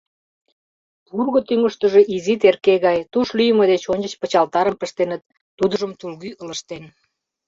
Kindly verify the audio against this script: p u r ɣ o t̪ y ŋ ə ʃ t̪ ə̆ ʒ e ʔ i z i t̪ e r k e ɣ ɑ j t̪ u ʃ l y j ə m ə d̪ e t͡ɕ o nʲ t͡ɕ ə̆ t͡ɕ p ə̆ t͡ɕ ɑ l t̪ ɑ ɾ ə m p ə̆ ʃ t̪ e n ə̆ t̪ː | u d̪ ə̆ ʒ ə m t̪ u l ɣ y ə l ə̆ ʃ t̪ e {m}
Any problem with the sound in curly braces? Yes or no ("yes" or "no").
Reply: yes